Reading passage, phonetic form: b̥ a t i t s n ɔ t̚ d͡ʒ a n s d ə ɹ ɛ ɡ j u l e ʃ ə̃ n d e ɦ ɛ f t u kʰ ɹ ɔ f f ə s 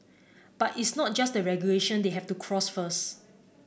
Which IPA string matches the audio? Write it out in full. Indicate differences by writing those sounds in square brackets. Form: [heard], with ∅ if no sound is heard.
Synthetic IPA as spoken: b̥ a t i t s n ɔ t̚ d͡ʒ a [∅] s d ə ɹ ɛ ɡ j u l e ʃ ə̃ n d e ɦ ɛ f t u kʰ ɹ ɔ [s] f ə s